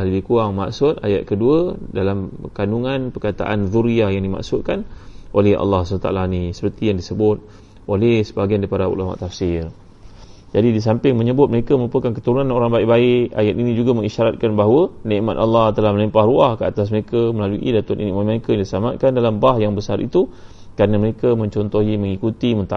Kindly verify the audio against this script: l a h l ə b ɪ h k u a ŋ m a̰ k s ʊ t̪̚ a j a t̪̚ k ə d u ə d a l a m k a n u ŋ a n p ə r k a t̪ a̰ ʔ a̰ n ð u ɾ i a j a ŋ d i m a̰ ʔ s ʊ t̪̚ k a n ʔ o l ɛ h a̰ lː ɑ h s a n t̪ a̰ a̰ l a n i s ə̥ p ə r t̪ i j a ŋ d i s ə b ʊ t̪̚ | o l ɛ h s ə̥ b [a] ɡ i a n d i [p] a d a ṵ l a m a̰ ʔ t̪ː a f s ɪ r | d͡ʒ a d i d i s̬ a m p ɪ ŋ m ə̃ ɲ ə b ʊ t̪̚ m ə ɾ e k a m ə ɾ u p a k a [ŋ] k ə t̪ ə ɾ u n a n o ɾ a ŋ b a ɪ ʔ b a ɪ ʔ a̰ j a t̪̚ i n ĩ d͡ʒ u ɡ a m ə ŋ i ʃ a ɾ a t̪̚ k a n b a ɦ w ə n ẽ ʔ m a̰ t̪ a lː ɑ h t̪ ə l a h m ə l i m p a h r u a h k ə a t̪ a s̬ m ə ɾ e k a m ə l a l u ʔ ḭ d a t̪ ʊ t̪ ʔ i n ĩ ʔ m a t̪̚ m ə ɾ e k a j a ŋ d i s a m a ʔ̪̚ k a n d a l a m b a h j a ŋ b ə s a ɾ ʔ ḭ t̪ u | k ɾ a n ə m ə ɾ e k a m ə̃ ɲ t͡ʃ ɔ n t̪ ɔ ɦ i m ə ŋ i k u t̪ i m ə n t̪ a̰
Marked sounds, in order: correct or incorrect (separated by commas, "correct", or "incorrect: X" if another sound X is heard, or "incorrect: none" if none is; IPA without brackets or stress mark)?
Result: correct, correct, incorrect: n